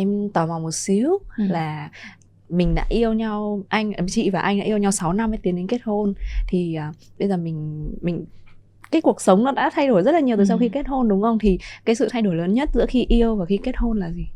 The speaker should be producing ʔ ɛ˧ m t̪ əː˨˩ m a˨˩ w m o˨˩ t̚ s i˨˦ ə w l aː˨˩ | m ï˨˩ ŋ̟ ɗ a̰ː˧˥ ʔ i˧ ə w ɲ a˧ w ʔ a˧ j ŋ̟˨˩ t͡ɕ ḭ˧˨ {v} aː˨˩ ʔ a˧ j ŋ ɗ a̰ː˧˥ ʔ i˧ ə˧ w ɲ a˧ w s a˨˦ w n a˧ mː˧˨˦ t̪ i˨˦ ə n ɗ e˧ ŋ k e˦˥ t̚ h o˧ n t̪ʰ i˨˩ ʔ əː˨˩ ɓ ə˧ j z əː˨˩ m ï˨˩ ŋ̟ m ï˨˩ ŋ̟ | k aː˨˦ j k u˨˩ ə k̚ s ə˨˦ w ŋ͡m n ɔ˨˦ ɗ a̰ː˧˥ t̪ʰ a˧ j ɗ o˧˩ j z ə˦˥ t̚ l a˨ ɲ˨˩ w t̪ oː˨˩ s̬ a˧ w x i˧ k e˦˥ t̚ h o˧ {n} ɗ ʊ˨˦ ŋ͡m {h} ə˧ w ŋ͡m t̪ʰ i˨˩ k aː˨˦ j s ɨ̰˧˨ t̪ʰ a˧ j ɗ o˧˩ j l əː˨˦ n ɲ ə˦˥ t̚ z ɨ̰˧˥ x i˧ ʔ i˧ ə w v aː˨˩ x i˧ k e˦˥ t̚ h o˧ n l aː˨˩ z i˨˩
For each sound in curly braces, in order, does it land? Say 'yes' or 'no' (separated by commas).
yes, yes, no